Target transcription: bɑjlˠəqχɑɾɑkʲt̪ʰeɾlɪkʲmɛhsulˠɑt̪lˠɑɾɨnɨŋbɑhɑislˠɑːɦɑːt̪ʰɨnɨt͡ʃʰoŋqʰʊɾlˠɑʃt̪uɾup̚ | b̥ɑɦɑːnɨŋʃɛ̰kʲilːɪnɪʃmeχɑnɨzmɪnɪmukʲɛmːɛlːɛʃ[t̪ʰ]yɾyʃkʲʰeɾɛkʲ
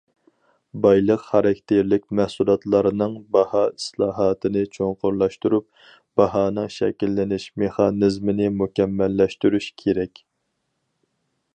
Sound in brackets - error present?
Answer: yes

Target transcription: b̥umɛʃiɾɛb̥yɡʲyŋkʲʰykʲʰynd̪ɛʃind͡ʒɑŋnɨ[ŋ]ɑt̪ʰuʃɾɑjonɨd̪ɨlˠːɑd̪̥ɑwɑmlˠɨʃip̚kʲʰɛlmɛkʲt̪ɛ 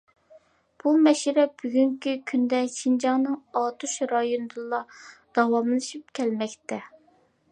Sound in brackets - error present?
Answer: no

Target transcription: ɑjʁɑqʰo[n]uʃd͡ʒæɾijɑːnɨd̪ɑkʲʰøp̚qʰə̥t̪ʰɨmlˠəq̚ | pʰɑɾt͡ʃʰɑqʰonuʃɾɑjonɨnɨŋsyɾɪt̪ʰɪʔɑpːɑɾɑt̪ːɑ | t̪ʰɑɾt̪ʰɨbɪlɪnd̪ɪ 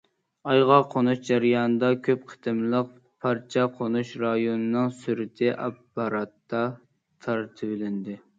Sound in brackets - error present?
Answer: no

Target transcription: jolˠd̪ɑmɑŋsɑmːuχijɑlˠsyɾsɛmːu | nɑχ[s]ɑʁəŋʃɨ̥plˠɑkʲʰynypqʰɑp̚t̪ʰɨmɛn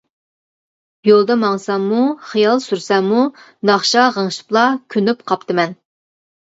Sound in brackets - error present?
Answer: yes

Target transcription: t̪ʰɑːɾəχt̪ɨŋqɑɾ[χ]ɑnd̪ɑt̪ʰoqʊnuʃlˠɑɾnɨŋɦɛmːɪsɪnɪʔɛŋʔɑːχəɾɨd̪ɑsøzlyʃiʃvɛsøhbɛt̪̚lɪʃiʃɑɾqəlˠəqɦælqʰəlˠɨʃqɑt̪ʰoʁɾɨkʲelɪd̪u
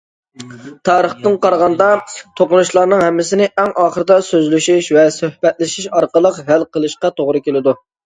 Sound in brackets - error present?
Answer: yes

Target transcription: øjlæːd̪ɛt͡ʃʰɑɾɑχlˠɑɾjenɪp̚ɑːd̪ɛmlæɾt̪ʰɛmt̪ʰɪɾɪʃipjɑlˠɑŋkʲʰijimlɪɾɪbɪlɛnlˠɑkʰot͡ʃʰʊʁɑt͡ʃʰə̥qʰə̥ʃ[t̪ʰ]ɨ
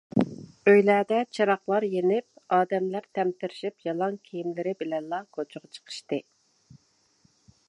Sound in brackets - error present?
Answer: yes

